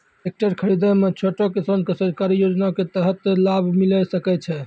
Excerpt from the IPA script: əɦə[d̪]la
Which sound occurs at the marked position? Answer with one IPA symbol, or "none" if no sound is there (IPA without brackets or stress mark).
t̪